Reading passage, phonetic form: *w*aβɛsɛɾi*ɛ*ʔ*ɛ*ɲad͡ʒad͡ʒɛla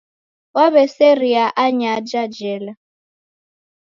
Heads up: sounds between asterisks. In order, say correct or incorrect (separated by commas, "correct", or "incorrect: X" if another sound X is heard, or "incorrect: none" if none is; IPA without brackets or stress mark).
correct, incorrect: a, incorrect: a